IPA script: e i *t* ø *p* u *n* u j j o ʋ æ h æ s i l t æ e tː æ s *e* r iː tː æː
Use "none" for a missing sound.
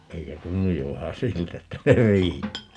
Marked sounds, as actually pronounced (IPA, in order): k, t, nː, e

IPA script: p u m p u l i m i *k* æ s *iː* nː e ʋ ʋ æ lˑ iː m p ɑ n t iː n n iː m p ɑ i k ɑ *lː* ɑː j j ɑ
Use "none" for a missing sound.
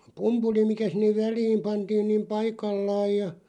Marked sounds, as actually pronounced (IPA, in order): k, i, lː

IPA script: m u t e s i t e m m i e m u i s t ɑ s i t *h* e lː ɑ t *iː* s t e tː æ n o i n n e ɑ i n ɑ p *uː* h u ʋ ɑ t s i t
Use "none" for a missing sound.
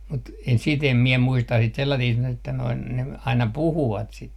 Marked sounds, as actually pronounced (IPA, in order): s, iː, u

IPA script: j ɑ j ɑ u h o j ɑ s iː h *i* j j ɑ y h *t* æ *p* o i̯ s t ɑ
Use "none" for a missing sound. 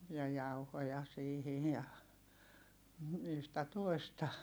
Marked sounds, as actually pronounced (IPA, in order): i, t, t

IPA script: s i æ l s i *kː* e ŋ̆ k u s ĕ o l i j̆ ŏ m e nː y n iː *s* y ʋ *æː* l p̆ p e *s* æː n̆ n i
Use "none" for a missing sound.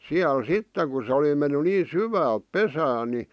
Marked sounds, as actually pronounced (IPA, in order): tː, s, æː, s

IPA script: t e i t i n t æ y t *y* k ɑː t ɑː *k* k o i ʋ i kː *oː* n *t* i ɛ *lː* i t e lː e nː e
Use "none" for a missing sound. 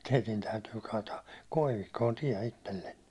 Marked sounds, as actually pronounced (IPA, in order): yː, k, oː, t, none

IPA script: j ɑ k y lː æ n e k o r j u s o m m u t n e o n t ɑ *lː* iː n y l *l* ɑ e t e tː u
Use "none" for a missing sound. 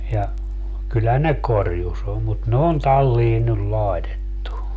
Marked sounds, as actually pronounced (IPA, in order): lː, l

